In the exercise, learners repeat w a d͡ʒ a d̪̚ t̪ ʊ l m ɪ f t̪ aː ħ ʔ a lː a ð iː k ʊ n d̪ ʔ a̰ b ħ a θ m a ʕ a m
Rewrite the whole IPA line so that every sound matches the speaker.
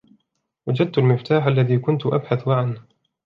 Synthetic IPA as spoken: w a d͡ʒ a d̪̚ t̪ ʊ l m ɪ f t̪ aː ħ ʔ a lː a ð iː k ʊ n t̪ ʔ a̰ b ħ a θ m a ʕ a n